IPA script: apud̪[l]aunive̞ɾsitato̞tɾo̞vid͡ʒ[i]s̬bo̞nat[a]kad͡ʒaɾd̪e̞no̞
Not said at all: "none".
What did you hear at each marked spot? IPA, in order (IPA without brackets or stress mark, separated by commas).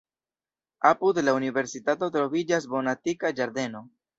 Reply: l, a, i